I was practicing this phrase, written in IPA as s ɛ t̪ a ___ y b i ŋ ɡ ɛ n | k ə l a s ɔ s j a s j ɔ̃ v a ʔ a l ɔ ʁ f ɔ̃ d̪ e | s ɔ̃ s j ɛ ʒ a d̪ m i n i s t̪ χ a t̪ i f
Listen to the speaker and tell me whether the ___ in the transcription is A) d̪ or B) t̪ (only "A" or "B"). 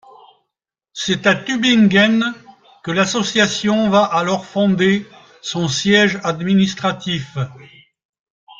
B